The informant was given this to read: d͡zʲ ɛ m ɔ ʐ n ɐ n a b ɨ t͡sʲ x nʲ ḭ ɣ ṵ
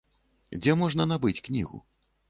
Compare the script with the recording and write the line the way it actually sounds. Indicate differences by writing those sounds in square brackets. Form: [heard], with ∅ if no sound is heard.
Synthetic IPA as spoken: d͡zʲ ɛ m ɔ ʐ n ɐ n a b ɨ t͡sʲ [k] nʲ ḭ ɣ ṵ